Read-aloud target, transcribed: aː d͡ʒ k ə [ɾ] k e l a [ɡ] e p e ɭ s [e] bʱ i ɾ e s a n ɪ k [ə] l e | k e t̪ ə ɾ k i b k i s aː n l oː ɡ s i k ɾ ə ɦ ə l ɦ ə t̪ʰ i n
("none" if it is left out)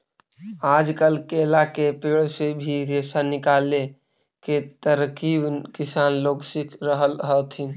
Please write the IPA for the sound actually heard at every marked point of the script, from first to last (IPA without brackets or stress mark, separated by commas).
l, k, e, a